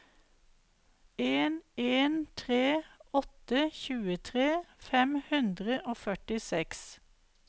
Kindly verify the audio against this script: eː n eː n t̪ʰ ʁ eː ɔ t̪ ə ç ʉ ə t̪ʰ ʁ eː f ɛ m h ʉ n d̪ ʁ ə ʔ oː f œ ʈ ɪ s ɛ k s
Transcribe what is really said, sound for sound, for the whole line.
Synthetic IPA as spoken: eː n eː n t̪ʰ ʁ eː ɔ t̪ ə ç ʉː ə t̪ʰ ʁ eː f ɛ m h ʉ n d̪ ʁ ə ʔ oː f œ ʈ ɪ s ɛ k s

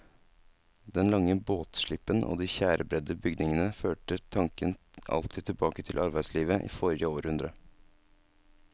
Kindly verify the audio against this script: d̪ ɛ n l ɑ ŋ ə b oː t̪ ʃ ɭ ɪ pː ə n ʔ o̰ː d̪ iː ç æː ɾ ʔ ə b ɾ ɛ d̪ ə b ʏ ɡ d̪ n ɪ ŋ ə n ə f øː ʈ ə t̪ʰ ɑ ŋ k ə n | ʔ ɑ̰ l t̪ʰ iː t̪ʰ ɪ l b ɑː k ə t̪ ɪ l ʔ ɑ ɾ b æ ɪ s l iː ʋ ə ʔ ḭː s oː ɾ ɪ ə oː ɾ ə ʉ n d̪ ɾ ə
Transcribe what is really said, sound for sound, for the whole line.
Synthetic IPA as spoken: d̪ ɛ n l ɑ ŋ ə b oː t̪ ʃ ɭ ɪ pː ə n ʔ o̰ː d̪ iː ç æː ɾ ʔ ə b ɾ ɛ d̪ ə b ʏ ɡ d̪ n ɪ ŋ ə n ə f øː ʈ ə t̪ʰ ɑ ŋ k ə n | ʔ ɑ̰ l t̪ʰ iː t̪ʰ ɪ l b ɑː k ə t̪ʰ ɪ l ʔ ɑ ɾ b æ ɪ s l iː ʋ ə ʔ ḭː f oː ɾ ɪ ə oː ɾ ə ʉ n d̪ ɾ ə

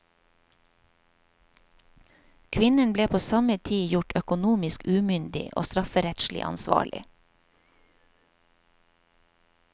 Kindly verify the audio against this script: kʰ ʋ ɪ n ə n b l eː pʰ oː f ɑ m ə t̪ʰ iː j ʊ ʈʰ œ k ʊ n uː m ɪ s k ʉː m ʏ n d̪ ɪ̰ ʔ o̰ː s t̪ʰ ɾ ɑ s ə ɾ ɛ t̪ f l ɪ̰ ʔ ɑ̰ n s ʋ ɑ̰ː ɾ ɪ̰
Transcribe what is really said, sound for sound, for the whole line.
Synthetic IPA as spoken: kʰ ʋ ɪ n ə n b l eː pʰ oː s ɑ m ə t̪ʰ iː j ʊ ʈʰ œ k ʊ n uː m ɪ s k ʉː m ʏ n d̪ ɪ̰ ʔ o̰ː s t̪ ɾ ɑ f ə ɾ ɛ t̪ ʃ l ɪ̰ ʔ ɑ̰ n s ʋ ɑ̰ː ɭ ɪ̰

